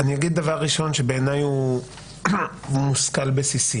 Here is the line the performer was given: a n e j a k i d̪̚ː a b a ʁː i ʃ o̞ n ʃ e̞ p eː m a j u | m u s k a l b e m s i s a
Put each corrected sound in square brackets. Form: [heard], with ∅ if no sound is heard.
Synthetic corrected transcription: a n [i] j a [ɡ] i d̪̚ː a [v] a ʁː i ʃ o̞ n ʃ e̞ [b] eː [n] a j u | m u s k a l b e [∅] s i s [i]